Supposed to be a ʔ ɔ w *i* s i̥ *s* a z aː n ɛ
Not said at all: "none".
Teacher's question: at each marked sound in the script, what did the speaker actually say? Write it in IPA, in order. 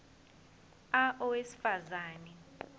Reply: e, f

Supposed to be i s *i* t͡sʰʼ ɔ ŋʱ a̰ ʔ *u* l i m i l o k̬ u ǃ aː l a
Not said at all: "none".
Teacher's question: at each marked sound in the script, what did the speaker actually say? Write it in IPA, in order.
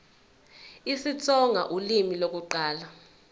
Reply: i, u

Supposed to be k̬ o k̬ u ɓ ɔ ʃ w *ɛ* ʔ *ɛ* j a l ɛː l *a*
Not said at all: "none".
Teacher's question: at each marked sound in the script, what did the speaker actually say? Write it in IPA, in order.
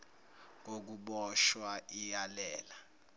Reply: a, i, a

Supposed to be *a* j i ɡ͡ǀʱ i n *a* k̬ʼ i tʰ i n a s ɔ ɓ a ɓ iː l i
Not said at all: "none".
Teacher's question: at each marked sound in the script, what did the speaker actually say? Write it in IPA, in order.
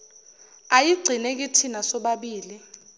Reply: a, e

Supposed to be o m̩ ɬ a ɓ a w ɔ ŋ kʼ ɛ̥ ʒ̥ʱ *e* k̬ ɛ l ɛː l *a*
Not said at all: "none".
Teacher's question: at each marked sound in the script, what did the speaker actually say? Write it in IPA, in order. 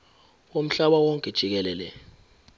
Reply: i, ɛ

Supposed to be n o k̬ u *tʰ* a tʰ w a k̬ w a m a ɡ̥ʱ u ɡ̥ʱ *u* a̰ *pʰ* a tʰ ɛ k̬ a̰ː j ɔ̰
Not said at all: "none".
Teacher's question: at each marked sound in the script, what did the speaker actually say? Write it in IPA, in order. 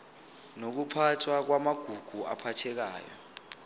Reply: pʰ, u, pʰ

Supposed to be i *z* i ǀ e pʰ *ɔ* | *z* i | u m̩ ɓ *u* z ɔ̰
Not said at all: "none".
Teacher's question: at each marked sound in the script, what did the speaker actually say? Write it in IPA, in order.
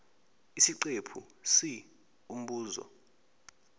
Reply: s, u, s, uː

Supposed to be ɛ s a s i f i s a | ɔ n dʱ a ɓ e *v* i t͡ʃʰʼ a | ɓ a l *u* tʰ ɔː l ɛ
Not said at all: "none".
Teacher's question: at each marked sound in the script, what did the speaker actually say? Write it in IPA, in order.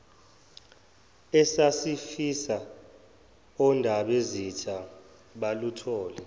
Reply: z, u

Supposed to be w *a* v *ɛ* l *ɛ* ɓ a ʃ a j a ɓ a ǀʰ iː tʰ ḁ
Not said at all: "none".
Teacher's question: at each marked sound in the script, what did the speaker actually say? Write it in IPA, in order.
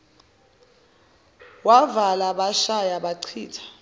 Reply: a, a, a

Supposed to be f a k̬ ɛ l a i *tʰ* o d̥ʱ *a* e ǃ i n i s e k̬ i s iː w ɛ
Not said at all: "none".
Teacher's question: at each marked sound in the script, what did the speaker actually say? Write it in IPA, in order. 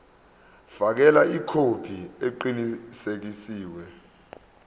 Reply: kʰ, i

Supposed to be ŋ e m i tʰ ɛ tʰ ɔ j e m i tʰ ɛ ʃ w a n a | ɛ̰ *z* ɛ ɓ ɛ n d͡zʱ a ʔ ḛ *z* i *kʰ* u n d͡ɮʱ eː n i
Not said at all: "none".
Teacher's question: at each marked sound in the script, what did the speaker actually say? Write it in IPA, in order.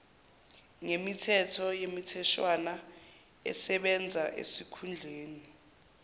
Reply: s, s, kʰ

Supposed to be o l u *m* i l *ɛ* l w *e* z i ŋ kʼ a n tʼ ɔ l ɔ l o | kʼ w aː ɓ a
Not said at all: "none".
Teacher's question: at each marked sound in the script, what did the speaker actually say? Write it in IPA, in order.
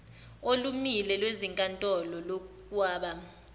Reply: m, ɛ, e

